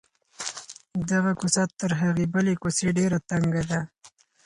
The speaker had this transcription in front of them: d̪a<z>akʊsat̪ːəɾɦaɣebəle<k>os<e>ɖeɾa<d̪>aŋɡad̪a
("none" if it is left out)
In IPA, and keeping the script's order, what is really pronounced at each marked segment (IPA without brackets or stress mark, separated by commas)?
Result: ɣ, k, e, t̪